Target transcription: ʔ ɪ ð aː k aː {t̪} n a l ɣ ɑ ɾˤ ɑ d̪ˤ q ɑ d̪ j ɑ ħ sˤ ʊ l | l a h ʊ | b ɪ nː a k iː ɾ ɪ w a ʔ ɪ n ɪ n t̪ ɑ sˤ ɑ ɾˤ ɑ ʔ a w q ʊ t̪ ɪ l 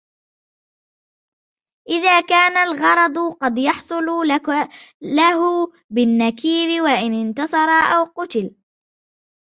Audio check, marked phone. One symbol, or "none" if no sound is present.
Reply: none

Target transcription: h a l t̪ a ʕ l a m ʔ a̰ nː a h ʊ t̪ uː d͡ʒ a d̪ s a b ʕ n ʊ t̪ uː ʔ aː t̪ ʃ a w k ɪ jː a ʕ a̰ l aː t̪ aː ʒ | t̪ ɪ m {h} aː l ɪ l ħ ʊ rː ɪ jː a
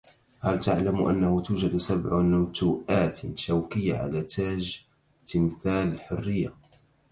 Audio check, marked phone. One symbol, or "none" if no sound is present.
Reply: θ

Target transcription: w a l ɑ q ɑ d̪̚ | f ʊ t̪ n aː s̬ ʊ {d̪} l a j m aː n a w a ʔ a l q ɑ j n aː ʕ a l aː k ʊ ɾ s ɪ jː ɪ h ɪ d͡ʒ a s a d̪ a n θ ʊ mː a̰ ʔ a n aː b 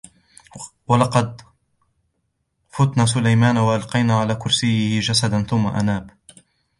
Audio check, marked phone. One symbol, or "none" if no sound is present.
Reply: none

